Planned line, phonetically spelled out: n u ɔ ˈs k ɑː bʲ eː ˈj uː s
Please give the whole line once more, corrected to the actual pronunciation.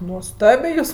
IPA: n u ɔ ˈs t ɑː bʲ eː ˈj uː s